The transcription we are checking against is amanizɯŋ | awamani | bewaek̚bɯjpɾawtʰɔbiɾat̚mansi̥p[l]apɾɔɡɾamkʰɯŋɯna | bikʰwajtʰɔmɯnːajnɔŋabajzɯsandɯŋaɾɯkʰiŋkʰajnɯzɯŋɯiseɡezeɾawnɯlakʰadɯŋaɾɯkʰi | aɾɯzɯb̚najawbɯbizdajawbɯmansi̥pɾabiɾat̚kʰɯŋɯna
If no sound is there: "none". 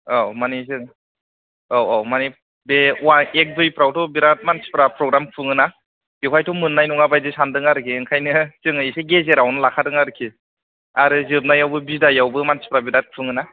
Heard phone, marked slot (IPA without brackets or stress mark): ɾ